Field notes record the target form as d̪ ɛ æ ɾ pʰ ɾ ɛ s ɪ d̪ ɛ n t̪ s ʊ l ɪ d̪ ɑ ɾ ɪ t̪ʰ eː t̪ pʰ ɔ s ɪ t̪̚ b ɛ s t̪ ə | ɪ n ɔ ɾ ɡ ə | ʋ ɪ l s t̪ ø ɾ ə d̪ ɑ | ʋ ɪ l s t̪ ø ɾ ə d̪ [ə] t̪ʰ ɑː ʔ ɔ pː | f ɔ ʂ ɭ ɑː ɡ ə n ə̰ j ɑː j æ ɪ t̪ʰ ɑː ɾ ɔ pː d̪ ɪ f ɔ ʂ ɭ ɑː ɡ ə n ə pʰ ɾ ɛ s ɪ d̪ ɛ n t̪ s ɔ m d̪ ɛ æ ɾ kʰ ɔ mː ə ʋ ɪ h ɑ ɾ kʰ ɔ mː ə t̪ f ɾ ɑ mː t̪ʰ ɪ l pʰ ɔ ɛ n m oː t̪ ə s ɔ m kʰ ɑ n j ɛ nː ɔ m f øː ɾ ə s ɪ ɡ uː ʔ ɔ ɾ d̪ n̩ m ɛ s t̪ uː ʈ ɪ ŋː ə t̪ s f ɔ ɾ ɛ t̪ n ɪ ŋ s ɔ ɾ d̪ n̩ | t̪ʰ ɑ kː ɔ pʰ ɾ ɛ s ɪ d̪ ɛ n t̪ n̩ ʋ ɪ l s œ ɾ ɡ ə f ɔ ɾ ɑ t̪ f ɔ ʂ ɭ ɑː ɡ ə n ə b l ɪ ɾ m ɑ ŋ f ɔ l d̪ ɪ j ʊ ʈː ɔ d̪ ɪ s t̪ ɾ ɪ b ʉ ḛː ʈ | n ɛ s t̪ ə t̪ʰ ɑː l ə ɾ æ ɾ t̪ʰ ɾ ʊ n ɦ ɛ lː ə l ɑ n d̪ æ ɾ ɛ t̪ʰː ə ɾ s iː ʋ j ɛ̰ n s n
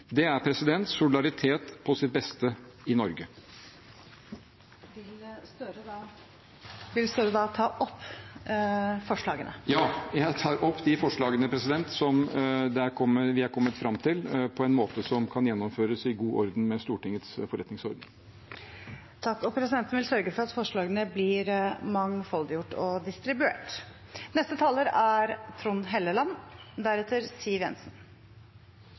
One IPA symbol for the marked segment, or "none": ɑ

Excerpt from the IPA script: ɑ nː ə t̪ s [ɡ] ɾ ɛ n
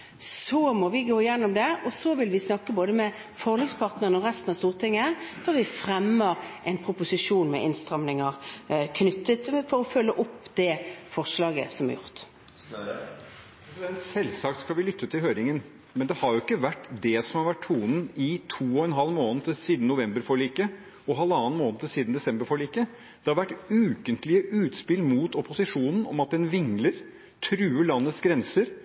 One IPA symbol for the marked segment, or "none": ɡ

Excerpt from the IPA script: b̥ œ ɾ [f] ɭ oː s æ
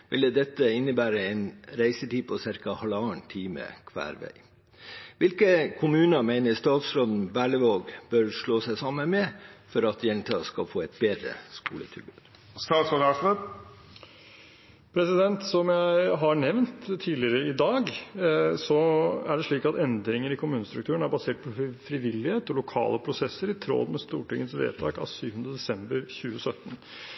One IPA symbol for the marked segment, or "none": ʂ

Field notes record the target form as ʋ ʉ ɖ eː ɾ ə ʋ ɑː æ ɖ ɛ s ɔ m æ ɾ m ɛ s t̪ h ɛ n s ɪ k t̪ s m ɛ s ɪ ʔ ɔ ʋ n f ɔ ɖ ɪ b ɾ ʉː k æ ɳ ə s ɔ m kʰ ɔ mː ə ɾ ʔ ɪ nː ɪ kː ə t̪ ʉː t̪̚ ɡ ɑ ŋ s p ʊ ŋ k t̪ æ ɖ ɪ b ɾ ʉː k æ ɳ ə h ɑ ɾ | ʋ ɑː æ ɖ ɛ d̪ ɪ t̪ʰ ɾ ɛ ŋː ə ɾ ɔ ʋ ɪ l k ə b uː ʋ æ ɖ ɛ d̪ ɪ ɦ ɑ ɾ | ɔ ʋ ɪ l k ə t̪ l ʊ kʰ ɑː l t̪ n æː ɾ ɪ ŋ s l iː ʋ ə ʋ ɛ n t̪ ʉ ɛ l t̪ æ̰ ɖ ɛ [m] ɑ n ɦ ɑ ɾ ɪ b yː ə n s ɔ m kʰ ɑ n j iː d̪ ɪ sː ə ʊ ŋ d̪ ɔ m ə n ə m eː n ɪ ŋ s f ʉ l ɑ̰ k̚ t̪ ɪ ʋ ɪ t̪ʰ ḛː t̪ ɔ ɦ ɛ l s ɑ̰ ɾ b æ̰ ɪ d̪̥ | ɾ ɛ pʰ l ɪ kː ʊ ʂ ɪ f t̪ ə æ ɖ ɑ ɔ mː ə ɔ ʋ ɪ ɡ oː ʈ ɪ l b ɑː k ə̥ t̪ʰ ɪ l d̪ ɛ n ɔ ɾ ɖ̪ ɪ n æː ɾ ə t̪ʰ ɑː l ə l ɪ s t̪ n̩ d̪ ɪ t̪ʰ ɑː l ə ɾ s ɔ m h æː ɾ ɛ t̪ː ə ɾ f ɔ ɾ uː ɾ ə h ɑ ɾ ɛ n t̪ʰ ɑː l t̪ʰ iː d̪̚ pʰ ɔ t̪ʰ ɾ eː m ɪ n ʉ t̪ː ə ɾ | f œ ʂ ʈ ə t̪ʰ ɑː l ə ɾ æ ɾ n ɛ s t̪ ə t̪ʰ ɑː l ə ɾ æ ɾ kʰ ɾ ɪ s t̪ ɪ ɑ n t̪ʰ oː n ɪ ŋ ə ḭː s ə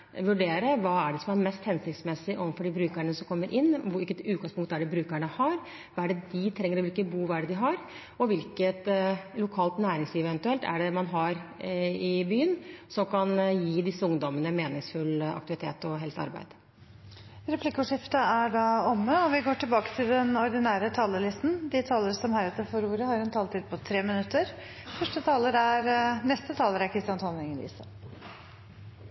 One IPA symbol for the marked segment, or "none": m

